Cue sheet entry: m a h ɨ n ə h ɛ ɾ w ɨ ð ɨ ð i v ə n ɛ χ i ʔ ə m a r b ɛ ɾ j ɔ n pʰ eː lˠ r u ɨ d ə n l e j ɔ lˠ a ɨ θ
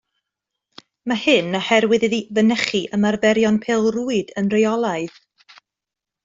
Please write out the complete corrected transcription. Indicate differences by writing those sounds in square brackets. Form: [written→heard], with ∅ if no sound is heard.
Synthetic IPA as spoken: m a h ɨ n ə h ɛ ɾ w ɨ ð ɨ ð i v ə n ɛ χ i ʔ ə m a r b ɛ ɾ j ɔ n pʰ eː lˠ r u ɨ d ə n [l→r] e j ɔ lˠ a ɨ [θ→ð]